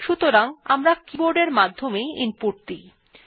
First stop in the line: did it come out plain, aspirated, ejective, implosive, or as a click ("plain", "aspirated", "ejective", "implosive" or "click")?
plain